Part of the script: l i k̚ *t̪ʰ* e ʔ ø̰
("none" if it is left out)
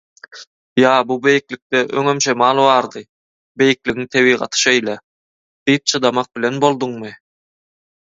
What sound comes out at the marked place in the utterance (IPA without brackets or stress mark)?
t̪